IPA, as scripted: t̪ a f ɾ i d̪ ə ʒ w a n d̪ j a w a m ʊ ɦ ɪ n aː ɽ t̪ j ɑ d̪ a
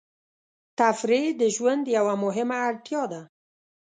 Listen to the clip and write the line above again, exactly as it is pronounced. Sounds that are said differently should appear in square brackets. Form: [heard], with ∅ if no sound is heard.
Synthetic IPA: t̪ a f ɾ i d̪ ə ʒ w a n d̪ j a w a m ʊ ɦ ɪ [m] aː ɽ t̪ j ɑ d̪ a